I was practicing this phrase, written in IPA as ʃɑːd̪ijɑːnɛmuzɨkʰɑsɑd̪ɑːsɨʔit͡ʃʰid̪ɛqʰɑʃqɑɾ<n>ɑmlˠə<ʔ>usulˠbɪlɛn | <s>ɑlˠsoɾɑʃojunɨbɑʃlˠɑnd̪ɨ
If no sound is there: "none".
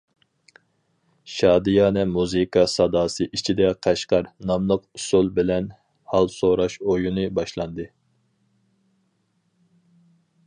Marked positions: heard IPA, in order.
n, q, h

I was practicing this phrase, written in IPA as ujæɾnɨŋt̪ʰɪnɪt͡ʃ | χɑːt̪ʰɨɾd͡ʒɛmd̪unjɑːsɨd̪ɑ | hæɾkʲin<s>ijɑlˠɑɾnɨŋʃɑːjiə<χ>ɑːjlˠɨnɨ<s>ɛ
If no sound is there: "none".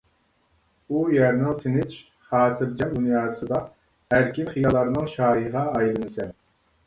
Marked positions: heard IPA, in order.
χ, ʁ, s

